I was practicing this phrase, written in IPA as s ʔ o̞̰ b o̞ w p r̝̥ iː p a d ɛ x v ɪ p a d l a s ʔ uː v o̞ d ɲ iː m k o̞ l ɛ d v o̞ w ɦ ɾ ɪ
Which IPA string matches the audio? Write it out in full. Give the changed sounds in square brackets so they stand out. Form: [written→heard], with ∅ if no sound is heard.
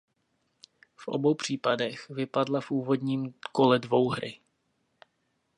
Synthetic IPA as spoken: [s→f] ʔ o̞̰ b o̞ w p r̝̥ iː p a d ɛ x v ɪ p a d l a [s→f] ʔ uː v o̞ d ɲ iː m k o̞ l ɛ d v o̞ w ɦ ɾ ɪ